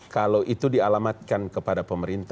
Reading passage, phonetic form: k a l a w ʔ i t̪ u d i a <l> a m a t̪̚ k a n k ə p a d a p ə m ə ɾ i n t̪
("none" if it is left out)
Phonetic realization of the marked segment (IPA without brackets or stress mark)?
l